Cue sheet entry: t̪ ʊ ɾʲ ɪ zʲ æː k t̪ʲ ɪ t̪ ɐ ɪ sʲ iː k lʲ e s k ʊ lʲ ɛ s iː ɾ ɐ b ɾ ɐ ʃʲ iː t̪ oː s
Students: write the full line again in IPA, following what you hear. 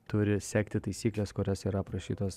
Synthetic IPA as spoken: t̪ ʊ ɾʲ ɪ sʲ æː k t̪ʲ ɪ t̪ ɐ ɪ sʲ iː k lʲ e s k ʊ ɾʲ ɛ s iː ɾ ɐ p ɾ ɐ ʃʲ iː t̪ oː s